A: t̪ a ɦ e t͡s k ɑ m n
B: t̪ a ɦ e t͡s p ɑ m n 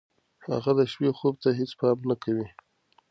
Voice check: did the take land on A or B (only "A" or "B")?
B